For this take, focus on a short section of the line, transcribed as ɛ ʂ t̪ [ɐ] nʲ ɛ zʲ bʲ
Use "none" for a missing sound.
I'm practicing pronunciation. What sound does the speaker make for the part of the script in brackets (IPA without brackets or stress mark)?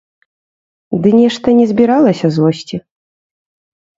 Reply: ɐ